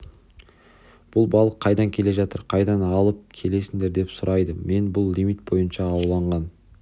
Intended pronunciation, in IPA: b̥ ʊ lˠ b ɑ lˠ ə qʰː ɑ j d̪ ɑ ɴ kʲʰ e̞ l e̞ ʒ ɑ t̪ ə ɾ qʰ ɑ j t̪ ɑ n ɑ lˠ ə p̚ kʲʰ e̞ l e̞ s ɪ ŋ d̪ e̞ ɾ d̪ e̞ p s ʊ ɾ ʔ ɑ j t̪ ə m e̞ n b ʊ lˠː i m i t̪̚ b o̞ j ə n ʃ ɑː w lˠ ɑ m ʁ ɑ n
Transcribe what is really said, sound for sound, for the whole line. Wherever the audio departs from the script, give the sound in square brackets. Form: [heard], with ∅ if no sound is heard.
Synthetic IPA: b̥ ʊ lˠ b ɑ lˠ ə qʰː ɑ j d̪ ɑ [ŋ] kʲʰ e̞ l e̞ ʒ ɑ t̪ ə ɾ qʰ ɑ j [d̪] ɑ n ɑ lˠ ə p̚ kʲʰ e̞ l e̞ s ɪ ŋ d̪ e̞ ɾ d̪ e̞ p s ʊ ɾ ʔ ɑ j [d̪] ə m e̞ n b ʊ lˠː i m i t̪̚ b o̞ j ə n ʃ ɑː w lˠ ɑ [ɴ] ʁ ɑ n